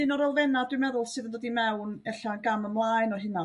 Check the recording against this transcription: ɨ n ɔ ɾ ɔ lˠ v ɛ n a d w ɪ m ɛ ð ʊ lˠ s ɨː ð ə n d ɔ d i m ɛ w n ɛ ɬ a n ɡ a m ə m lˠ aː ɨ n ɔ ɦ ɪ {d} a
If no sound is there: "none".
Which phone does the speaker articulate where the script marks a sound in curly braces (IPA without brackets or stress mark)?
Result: n